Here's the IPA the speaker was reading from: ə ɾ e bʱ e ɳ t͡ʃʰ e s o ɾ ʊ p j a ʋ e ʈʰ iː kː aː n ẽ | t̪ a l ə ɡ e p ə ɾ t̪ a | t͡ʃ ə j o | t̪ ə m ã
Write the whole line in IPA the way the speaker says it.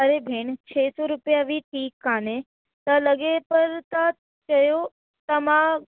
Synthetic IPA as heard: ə ɾ e bʱ e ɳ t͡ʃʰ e s o ɾ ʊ p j a ʋ i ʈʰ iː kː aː n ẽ | t̪ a l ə ɡ e p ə ɾ t̪ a | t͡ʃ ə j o | t̪ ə m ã

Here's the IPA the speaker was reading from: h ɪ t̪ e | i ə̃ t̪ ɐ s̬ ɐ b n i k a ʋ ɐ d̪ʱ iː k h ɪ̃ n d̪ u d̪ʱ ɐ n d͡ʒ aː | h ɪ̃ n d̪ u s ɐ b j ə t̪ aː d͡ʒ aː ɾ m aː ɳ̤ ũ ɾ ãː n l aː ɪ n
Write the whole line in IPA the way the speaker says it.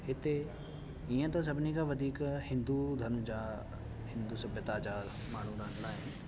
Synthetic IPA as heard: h ɪ t̪ e | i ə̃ t̪ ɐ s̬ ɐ b n i k a ʋ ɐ d̪ʱ iː k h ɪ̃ n d̪ u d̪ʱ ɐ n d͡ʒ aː | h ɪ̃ n d̪ u s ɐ b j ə t̪ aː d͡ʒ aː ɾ m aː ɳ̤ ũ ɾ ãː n l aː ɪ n

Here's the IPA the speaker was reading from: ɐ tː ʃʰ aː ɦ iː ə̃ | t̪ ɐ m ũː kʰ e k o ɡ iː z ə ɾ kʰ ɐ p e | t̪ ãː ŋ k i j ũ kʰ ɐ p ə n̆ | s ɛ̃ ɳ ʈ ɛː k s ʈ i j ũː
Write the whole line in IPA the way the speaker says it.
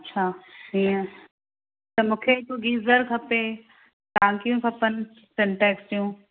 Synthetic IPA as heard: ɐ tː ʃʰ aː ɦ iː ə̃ | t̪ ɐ m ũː kʰ e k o ɡ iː z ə ɾ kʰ ɐ p e | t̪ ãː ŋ k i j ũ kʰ ɐ p ə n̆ | s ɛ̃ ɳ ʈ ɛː k s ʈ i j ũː

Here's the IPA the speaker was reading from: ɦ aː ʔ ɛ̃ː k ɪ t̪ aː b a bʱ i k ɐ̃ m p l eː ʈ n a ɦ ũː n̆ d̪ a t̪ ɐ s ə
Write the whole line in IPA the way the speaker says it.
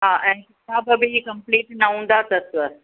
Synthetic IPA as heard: ɦ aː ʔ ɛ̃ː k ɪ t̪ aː b ɐ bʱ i k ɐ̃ m p l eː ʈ n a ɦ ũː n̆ d̪ a t̪ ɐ s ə

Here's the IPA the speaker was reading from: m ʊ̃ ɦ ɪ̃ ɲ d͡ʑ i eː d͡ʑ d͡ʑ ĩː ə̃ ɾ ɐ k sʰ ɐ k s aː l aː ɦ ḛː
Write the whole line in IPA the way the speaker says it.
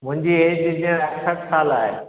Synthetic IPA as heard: m ʊ̃ ɦ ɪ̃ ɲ d͡ʑ i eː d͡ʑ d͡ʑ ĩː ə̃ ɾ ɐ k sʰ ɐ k s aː l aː ɦ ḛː

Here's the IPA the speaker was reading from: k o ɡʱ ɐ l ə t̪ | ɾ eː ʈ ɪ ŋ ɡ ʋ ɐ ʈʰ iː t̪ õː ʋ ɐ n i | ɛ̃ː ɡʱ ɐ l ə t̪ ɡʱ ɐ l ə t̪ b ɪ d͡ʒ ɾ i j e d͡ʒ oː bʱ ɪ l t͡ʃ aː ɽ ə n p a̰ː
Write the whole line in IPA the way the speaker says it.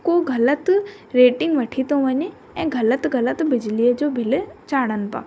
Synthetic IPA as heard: k o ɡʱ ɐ l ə t̪ | ɾ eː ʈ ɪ ŋ ɡ ʋ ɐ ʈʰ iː t̪ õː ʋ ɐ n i | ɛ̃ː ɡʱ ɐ l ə t̪ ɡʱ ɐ l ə t̪ b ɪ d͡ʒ l i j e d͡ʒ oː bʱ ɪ l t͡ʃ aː ɽ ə n p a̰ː

